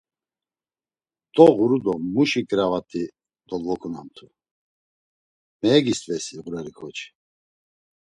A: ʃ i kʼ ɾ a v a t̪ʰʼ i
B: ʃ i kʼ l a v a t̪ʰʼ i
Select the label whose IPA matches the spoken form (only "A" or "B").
A